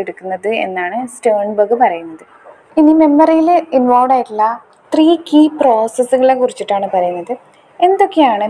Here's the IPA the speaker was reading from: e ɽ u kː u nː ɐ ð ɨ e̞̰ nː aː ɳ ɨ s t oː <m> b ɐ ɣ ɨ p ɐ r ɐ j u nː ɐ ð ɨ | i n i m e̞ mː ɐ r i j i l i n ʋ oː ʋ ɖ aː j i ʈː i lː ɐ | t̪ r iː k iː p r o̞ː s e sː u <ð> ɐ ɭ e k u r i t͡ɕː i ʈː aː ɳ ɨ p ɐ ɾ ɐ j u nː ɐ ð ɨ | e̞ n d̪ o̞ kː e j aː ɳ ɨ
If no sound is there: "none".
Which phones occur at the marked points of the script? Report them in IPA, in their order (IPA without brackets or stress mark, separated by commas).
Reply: ɳ, ɣ